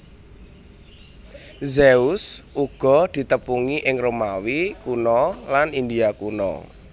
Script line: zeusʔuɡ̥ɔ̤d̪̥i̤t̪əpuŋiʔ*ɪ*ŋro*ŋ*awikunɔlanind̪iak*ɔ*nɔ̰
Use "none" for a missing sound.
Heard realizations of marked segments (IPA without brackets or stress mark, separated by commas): ɪ, m, u